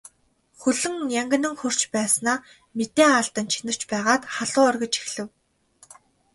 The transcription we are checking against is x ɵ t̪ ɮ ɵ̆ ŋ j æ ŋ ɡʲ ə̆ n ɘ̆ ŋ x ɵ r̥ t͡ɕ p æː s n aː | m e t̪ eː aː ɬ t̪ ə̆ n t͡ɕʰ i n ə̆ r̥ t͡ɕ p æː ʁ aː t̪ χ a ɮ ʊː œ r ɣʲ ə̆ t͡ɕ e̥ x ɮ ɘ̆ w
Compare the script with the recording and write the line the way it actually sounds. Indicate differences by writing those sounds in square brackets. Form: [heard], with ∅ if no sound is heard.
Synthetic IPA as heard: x ɵ [∅] ɮ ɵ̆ ŋ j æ ŋ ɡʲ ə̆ n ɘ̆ ŋ x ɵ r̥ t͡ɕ p æː s n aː | m e t̪ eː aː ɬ t̪ ə̆ n t͡ɕʰ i n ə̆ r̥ t͡ɕ p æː ʁ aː t̪ χ a ɮ ʊː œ r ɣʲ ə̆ t͡ɕ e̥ x ɮ ɘ̆ w